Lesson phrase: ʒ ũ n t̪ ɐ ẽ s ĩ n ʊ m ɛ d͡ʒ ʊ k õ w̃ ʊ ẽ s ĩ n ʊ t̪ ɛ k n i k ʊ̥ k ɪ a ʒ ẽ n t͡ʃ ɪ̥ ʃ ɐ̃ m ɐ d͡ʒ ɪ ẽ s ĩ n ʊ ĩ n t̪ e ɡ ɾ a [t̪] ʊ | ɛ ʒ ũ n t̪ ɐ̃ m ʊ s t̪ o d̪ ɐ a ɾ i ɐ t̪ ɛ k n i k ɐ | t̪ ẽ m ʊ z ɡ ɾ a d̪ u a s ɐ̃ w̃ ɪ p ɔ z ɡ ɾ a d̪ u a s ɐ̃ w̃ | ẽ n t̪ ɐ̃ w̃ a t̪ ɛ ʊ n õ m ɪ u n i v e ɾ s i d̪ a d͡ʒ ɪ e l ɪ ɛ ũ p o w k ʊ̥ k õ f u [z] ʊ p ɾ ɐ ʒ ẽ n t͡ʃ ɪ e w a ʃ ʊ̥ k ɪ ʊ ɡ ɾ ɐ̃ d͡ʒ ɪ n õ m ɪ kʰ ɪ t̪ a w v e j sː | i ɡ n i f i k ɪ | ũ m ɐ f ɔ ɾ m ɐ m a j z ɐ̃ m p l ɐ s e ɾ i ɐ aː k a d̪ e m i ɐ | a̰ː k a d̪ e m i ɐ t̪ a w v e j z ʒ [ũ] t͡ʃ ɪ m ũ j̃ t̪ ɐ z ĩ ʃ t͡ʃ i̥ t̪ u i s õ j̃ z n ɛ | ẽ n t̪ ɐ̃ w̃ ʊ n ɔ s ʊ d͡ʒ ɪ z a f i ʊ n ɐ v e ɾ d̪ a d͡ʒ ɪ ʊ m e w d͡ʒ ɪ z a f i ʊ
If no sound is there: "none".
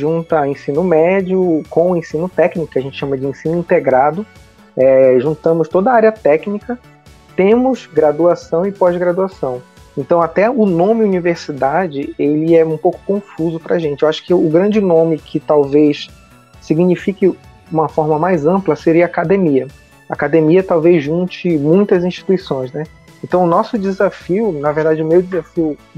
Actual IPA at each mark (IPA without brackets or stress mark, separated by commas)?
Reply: d̪, z, ũ